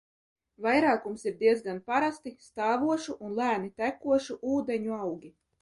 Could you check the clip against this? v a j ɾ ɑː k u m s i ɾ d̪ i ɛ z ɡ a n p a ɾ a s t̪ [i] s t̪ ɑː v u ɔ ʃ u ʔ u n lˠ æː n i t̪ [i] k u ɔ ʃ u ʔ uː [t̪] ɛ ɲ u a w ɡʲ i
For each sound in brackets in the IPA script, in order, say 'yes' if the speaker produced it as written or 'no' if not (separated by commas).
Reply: yes, no, no